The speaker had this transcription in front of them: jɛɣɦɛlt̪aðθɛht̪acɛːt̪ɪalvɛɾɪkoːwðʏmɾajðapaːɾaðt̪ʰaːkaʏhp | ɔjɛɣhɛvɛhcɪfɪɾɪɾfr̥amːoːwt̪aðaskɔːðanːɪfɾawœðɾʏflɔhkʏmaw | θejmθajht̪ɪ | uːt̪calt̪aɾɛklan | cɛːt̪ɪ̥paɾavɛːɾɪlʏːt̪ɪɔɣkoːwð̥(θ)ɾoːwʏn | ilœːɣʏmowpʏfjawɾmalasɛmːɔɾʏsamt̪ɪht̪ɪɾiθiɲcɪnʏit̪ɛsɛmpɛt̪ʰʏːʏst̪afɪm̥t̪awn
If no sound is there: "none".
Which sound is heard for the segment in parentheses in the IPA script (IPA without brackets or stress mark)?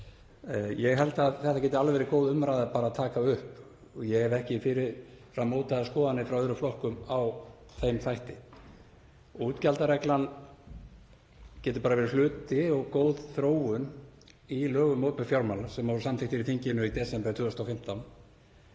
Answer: θ